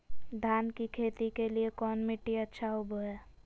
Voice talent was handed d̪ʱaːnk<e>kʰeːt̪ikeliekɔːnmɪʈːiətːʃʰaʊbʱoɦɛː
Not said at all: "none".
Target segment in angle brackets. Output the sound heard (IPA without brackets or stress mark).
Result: i